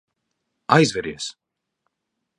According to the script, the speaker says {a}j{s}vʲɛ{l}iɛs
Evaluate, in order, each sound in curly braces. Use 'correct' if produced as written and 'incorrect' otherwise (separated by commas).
correct, incorrect, incorrect